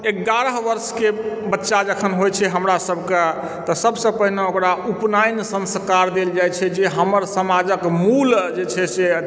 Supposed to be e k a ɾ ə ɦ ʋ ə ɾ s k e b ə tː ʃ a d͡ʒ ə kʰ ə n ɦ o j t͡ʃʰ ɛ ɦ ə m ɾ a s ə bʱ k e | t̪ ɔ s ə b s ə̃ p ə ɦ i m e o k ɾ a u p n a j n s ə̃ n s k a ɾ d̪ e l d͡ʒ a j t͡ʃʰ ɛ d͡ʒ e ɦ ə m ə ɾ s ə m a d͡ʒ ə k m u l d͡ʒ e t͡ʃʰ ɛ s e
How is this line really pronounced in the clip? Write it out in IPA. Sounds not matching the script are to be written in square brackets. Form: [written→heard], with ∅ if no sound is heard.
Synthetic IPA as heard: e [k→ɡ] a ɾ ə ɦ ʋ ə ɾ s k e b ə tː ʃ a d͡ʒ ə kʰ ə n ɦ o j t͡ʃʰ ɛ ɦ ə m ɾ a s ə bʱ k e | t̪ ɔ s ə b s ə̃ p ə ɦ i [m→n] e o k ɾ a u p n a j n s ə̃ n s k a ɾ d̪ e l d͡ʒ a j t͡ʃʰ ɛ d͡ʒ e ɦ ə m ə ɾ s ə m a d͡ʒ ə k m u l d͡ʒ e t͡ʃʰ ɛ s e

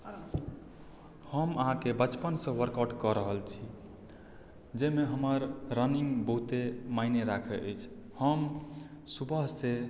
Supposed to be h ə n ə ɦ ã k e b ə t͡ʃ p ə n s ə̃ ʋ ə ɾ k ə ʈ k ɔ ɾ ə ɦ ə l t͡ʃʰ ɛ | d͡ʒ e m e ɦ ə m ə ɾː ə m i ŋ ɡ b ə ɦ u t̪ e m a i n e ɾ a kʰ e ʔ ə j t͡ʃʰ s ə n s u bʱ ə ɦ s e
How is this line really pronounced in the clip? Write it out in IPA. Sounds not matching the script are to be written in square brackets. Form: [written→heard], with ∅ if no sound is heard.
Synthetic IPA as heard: h ə [n→m] ə ɦ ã k e b ə t͡ʃ p ə n s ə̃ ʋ ə ɾ k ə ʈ k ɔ ɾ ə ɦ ə l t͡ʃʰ [ɛ→i] | d͡ʒ e m e ɦ ə m ə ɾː ə [m→n] i ŋ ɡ b ə ɦ u t̪ e m a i n e ɾ a kʰ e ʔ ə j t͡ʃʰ [s→h] ə [n→m] s u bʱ ə ɦ s e

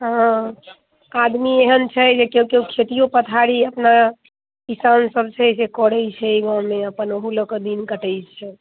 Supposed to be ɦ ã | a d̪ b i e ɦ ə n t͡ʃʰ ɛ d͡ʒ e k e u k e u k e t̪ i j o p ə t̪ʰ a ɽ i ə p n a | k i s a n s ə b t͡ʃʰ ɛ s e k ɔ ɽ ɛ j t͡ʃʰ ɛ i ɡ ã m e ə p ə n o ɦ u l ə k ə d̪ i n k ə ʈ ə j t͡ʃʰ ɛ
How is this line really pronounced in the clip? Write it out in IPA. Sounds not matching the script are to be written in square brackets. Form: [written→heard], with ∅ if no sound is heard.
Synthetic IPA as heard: ɦ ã | a d̪ [b→m] i e ɦ ə n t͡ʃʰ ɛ d͡ʒ e k e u k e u [k→kʰ] e t̪ i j o p ə t̪ʰ a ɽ i ə p n a | k i s a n s ə b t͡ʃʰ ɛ s e k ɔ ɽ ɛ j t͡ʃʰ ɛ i ɡ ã m e ə p ə n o ɦ u l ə k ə d̪ i n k ə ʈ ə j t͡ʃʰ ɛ

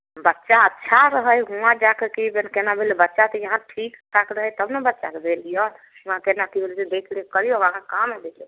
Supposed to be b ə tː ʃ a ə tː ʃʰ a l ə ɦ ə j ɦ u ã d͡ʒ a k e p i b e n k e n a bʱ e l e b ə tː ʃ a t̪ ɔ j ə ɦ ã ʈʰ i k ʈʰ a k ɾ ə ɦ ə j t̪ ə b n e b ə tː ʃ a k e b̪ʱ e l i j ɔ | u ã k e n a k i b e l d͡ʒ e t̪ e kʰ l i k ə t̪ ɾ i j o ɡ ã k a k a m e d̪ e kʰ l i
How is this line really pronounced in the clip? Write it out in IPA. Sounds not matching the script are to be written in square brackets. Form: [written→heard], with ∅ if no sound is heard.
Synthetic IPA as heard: b ə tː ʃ a ə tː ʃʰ a [l→ɾ] ə ɦ ə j ɦ u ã d͡ʒ a k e [p→k] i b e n k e n a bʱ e l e b ə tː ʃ a t̪ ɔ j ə ɦ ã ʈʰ i k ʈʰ a k ɾ ə ɦ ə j t̪ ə b n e b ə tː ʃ a k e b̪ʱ e l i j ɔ | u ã k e n a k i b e l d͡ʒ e [t̪→d̪] e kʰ l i k ə [t̪→∅] ɾ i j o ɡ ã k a k a m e d̪ e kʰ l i

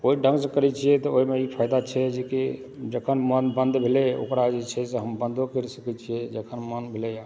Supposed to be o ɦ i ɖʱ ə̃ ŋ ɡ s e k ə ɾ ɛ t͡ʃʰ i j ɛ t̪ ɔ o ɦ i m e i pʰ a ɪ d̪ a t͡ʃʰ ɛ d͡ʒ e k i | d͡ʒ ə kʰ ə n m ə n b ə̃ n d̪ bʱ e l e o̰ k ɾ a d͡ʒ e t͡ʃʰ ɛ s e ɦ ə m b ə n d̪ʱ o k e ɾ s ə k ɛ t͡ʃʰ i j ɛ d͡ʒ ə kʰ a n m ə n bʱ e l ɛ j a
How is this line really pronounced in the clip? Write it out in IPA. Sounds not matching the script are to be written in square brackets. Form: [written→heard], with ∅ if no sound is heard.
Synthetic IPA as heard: o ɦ i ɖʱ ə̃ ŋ ɡ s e k ə ɾ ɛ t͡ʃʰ i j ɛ t̪ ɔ o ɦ i m e i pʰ a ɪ d̪ a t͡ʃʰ ɛ d͡ʒ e k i | d͡ʒ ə kʰ ə n m ə n b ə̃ n d̪ bʱ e l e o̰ k ɾ a d͡ʒ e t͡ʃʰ ɛ s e ɦ ə m b ə n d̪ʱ o k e ɾ s ə k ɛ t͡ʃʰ i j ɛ d͡ʒ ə kʰ [a→ə] n m ə n bʱ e l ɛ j a

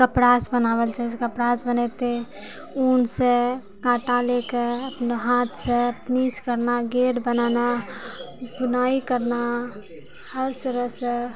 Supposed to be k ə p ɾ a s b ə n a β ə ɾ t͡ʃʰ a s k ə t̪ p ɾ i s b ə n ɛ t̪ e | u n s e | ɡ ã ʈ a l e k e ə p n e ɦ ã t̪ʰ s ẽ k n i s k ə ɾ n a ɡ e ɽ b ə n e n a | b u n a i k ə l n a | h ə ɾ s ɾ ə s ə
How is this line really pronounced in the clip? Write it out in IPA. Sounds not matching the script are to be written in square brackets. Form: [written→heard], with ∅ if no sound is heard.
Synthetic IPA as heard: k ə p ɾ a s b ə n a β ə [ɾ→l] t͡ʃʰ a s k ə [t̪→∅] p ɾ [i→a] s b ə n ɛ t̪ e | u n s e | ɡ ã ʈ a l e k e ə p n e ɦ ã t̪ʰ s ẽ [k→p] n i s k ə ɾ n a ɡ e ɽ b ə n [e→a] n a | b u n a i k ə [l→ɾ] n a | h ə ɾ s ɾ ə s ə

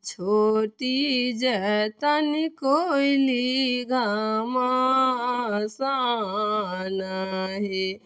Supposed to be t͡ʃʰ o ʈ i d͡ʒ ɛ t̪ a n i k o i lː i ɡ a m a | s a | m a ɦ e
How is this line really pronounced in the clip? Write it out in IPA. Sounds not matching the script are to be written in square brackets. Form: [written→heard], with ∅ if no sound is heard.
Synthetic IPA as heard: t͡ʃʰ o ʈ i d͡ʒ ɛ t̪ a n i k o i [lː→l] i ɡ a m a | s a | [m→n] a ɦ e

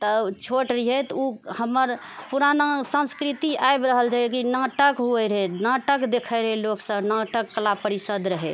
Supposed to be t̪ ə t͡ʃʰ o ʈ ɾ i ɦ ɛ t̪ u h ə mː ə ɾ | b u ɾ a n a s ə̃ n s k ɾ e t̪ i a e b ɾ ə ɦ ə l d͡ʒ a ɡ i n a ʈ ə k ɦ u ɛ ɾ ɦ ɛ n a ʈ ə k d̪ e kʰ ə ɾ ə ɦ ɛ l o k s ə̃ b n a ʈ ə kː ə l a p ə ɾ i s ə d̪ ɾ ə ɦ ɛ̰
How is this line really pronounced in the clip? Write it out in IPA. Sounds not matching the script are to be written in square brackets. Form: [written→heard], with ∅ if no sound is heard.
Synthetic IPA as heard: t̪ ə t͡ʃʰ o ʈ ɾ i ɦ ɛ t̪ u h ə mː ə ɾ | [b→p] u ɾ a n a s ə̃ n s k ɾ [e→i] t̪ i a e b ɾ ə ɦ ə l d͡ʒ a [ɡ→k] i n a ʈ ə k ɦ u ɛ ɾ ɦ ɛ n a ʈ ə k d̪ e kʰ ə ɾ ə ɦ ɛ l o k s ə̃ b n a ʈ ə kː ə l a p ə ɾ i s ə d̪ ɾ ə ɦ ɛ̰

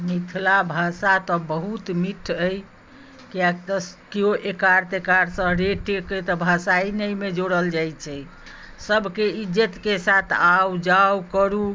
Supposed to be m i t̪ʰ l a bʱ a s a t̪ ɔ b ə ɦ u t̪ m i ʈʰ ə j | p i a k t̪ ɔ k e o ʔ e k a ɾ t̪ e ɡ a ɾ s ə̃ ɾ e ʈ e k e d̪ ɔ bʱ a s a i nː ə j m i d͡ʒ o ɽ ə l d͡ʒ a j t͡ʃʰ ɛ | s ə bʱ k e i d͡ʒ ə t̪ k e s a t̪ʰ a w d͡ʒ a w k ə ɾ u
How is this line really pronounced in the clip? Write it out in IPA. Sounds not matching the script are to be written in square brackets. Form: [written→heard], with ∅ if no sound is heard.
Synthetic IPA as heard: m i t̪ʰ l a bʱ a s a t̪ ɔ b ə ɦ u t̪ m i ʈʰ ə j | [p→k] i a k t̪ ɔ k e o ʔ e k a ɾ t̪ e [ɡ→k] a ɾ s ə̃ ɾ e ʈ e k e [d̪→t̪] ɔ bʱ a s a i [nː→n] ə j m [i→e] d͡ʒ o ɽ ə l d͡ʒ a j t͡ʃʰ ɛ | s ə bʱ k e i d͡ʒ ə t̪ k e s a t̪ʰ a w d͡ʒ a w k ə ɾ u

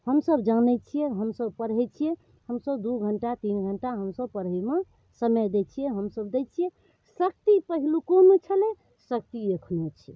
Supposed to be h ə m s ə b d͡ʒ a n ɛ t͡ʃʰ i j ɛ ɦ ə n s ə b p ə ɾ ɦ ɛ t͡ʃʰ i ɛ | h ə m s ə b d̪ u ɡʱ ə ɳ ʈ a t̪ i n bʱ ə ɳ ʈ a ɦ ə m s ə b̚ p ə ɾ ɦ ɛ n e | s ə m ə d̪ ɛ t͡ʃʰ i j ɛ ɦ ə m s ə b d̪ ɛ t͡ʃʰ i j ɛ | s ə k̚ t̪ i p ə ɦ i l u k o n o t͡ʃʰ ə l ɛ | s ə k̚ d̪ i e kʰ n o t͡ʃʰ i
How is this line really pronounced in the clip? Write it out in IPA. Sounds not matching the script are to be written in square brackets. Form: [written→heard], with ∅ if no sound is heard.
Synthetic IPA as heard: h ə m s ə b d͡ʒ a n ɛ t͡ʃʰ i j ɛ ɦ ə [n→m] s ə b p ə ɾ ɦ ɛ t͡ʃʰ i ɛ | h ə m s ə b d̪ u ɡʱ ə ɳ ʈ a t̪ i n [bʱ→ɡʱ] ə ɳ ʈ a ɦ ə m s ə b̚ p ə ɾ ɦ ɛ [n→m] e | s ə m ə d̪ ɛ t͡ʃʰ i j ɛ ɦ ə m s ə b d̪ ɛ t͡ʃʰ i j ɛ | s ə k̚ t̪ i p ə ɦ i l u k o n o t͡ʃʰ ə l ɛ | s ə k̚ [d̪→t̪] i e kʰ n o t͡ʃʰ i

